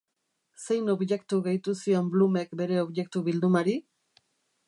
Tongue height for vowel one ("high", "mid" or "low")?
mid